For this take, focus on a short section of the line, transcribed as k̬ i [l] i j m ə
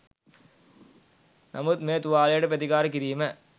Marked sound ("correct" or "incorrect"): incorrect